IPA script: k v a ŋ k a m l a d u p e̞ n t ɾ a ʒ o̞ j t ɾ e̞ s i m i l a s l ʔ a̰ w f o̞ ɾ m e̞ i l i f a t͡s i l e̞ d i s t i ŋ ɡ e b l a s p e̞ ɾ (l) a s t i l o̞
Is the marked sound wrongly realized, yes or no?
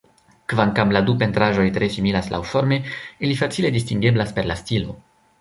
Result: no